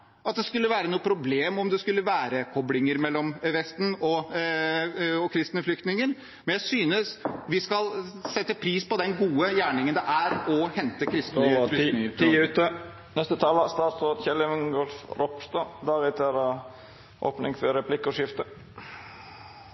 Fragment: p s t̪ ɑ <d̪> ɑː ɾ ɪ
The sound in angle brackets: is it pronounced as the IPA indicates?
yes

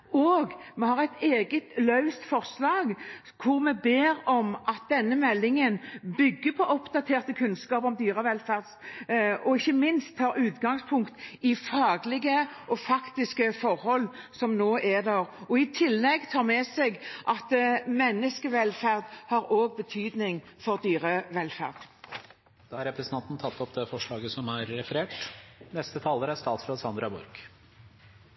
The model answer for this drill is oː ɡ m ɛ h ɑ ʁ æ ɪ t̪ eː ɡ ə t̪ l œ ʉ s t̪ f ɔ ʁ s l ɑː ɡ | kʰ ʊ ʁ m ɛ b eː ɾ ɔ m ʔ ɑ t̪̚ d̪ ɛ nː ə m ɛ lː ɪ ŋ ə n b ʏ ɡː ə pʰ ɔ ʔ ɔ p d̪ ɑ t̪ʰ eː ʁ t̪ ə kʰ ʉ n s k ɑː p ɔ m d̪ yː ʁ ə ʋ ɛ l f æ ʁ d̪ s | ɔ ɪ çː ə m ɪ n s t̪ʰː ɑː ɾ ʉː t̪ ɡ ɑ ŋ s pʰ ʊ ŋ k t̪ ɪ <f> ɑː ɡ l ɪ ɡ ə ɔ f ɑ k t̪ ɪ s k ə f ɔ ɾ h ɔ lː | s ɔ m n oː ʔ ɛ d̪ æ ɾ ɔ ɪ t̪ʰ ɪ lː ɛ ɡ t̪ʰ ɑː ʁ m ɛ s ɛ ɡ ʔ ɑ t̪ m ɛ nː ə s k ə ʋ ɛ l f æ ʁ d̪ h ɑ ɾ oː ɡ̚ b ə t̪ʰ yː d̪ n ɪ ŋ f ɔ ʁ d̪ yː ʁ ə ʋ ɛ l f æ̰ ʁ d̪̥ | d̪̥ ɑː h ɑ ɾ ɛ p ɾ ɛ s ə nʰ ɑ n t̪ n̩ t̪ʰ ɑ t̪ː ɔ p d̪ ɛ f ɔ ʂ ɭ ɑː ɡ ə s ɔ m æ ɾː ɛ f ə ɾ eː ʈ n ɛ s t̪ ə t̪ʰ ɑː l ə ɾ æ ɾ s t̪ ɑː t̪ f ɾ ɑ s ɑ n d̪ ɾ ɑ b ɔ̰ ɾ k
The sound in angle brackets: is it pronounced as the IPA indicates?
yes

